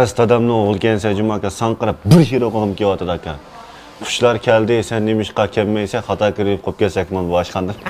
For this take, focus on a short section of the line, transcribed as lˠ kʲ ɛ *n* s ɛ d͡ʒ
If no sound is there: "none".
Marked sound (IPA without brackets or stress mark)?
n